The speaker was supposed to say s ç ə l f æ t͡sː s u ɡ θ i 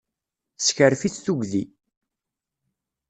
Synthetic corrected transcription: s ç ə ɾ f i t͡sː θ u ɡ ð i